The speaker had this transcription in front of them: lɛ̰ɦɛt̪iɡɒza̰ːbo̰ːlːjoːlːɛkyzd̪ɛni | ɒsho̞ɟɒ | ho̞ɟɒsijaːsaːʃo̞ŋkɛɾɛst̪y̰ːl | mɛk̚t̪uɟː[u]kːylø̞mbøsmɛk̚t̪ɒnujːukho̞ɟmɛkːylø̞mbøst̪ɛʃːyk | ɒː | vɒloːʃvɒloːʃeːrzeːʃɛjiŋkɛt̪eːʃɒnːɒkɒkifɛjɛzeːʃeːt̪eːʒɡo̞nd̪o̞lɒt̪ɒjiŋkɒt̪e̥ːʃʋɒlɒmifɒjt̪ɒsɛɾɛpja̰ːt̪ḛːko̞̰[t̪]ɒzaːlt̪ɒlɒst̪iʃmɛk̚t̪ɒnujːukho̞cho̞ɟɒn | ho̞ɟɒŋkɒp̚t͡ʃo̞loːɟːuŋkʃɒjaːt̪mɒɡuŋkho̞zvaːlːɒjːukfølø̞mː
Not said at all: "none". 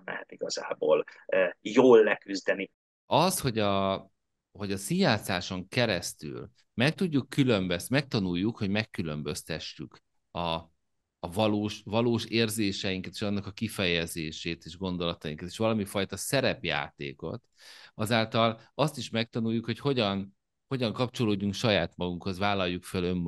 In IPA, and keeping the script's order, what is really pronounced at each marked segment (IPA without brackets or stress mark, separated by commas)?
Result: u, t̪